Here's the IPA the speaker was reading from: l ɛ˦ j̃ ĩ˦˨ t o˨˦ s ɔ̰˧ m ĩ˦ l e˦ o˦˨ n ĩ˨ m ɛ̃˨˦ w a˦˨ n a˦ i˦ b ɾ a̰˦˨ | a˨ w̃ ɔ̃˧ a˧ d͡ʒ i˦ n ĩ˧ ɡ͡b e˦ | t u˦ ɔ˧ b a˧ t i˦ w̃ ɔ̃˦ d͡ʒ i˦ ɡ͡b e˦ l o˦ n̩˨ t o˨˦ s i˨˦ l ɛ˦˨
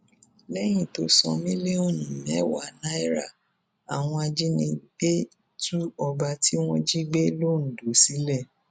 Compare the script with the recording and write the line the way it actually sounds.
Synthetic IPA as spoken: l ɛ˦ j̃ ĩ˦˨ t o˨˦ s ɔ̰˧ m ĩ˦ l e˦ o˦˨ n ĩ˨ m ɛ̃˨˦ w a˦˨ n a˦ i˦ ɾ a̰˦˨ | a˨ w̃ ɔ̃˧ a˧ d͡ʒ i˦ n ĩ˧ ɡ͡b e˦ | t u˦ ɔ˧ b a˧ t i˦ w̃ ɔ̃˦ d͡ʒ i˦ ɡ͡b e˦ l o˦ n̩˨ d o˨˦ s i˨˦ l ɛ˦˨

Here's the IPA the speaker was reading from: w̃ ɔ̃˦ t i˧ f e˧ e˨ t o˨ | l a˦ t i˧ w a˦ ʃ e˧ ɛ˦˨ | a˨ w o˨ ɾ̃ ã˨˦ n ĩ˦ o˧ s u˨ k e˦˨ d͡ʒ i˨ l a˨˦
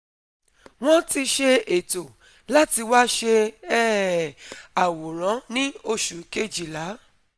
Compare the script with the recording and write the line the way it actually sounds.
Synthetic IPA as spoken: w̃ ɔ̃˦ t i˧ ʃ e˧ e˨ t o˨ | l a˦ t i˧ w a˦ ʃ e˧ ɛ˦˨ | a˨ w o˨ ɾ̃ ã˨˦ n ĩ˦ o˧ ʃ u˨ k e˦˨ d͡ʒ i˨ l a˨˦

